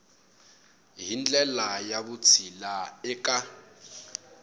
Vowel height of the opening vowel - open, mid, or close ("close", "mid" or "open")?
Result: close